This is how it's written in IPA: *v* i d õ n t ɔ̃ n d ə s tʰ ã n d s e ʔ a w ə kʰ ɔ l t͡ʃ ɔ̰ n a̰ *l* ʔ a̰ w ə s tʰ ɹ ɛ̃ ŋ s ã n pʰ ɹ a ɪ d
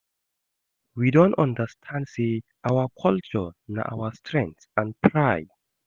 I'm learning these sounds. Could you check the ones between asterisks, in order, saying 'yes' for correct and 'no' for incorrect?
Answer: no, no

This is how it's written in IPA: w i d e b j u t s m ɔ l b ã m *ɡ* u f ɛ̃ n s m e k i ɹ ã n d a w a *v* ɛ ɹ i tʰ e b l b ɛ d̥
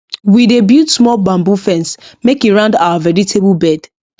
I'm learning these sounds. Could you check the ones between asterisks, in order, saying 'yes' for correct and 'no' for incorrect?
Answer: no, yes

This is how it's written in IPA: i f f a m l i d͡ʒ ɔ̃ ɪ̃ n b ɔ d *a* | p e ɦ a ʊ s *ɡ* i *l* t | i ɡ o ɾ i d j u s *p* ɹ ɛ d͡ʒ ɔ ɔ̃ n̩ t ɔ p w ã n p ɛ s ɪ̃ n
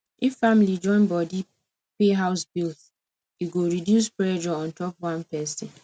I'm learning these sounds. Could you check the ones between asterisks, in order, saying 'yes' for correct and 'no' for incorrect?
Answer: no, no, yes, yes

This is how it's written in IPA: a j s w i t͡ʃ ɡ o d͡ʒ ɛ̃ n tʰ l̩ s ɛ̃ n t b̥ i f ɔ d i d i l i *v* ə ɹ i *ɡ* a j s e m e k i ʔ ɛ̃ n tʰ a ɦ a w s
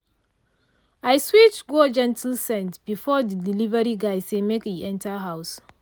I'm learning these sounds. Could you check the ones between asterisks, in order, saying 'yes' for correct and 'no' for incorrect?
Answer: yes, yes

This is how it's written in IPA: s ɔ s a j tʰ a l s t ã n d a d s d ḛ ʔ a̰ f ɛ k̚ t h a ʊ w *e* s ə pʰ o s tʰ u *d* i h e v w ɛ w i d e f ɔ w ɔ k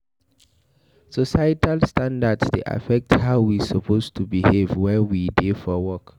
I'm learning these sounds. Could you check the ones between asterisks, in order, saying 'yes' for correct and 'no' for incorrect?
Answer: no, no

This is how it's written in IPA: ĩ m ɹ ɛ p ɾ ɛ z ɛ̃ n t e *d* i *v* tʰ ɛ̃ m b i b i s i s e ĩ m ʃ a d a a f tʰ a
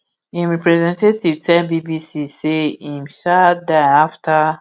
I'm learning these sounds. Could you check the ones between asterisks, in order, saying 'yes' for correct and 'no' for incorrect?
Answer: no, yes

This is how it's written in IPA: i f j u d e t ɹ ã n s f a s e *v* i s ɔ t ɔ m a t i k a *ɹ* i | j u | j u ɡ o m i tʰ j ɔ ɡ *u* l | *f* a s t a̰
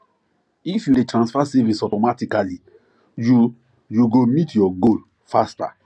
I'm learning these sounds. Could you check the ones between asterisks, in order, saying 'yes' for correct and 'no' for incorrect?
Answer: yes, no, no, yes

